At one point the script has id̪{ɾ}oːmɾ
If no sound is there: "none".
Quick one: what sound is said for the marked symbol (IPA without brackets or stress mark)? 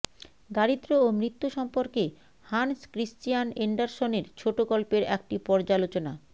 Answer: ɾ